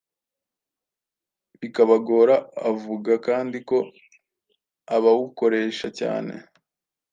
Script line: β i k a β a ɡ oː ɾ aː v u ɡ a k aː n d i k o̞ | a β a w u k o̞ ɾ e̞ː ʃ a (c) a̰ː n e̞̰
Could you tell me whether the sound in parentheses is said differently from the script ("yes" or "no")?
no